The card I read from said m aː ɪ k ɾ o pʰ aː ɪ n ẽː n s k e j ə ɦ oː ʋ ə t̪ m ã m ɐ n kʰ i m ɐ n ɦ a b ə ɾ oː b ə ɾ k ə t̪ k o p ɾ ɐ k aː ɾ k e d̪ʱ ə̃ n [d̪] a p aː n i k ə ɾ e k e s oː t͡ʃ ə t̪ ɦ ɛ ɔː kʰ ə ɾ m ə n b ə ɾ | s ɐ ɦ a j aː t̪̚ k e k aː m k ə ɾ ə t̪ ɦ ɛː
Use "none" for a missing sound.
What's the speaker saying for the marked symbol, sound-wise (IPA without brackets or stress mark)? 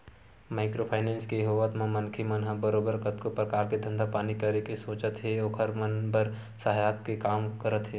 d̪